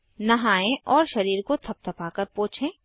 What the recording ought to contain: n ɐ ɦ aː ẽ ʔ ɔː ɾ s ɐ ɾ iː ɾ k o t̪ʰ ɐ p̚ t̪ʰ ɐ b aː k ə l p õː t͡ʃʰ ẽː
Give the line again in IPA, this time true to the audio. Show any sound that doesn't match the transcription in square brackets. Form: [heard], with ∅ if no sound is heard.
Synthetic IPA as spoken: n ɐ ɦ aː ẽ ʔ ɔː ɾ [ʃ] ɐ ɾ iː ɾ k o t̪ʰ ɐ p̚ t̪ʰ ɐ [p] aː k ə [ɾ] p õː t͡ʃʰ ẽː

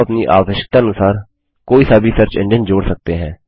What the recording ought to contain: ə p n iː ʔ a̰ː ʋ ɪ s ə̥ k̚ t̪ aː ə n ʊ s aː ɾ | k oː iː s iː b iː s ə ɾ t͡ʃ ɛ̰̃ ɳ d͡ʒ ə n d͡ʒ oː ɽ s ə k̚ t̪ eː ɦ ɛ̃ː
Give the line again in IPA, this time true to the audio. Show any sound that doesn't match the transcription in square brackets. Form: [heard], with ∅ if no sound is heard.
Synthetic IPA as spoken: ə p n iː ʔ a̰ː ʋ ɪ [ʃ] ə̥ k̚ t̪ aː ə n ʊ s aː ɾ | k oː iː s [aː] b iː s ə ɾ t͡ʃ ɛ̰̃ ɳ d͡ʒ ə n d͡ʒ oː ɽ s ə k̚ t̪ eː ɦ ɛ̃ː

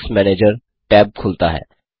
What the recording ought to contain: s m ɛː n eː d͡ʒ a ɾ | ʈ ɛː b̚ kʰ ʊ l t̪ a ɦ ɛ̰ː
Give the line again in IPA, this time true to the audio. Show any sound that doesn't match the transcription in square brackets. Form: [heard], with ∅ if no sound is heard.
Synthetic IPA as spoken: s m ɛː n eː d͡ʒ [ə] ɾ | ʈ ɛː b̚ kʰ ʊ l t̪ a ɦ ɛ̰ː

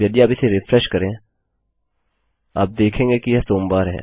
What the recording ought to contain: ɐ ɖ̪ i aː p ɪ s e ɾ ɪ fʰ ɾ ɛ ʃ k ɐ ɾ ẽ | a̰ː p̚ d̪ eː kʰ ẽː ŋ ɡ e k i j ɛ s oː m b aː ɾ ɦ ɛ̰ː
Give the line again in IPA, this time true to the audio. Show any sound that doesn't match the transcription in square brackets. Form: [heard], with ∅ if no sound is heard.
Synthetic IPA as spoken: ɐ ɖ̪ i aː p ɪ s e ɾ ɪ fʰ ɾ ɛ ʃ k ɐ ɾ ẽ | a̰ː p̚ d̪ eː kʰ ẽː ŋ ɡ e k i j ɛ s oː m b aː ɾ ɦ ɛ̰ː

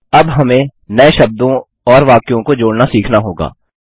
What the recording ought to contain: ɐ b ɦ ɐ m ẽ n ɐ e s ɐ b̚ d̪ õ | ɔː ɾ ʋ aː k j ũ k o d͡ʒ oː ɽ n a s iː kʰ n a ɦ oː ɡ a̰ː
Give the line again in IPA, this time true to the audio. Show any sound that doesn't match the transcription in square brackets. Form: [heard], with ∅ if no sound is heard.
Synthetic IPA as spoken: ɐ b ɦ ɐ m ẽ n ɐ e [ʃ] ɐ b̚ d̪ õ | ɔː ɾ ʋ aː k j [õ] k o d͡ʒ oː ɽ n a s iː kʰ n a ɦ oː ɡ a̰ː

